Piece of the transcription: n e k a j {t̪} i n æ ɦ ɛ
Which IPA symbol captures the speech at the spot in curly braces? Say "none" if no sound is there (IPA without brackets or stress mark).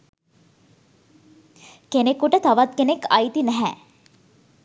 t̪